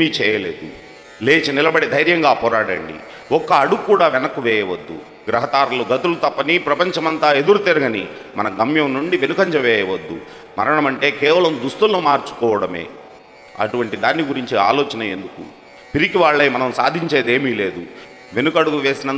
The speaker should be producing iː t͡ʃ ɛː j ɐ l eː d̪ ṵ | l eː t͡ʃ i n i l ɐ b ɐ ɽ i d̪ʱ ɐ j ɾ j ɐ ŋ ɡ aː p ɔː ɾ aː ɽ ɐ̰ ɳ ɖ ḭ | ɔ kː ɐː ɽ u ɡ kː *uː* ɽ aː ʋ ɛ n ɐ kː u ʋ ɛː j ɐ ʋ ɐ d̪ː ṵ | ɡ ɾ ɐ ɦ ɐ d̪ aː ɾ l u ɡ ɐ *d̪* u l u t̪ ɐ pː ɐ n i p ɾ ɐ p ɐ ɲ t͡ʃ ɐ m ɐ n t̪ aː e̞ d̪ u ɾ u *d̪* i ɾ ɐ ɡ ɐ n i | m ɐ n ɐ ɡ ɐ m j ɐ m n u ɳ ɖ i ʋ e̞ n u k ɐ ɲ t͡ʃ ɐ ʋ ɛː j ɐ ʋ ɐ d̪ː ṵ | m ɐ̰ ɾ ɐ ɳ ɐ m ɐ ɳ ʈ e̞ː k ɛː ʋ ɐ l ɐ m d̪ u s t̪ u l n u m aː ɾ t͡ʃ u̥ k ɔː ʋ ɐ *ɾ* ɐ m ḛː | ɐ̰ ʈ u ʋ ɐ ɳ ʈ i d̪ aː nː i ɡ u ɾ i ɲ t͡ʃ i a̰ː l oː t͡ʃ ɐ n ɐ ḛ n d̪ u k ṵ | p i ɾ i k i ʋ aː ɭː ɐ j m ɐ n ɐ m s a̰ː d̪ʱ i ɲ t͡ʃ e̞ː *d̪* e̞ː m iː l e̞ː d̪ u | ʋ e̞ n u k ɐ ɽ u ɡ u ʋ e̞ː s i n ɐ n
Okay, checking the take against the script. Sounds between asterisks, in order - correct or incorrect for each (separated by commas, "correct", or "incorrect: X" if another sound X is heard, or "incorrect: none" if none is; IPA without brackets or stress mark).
correct, incorrect: t̪, incorrect: t̪, incorrect: ɽ, correct